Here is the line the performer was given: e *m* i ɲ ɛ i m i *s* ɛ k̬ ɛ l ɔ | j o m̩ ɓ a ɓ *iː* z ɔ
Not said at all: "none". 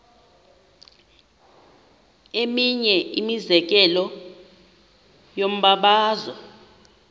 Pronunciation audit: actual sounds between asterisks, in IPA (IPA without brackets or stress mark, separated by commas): m, z, aː